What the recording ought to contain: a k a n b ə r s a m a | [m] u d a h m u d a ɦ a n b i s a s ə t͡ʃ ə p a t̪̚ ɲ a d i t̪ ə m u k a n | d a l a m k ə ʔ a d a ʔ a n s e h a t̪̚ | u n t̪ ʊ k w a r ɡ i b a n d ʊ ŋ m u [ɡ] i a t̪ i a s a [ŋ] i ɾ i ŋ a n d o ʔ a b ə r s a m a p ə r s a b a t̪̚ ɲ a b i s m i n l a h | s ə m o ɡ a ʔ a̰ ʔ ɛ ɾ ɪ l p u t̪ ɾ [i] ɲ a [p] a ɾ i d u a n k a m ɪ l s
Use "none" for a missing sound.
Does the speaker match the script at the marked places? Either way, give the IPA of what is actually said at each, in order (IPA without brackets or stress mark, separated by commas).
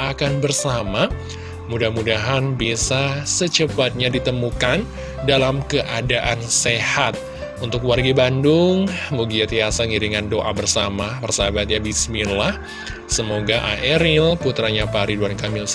m, ɡ, ŋ, a, p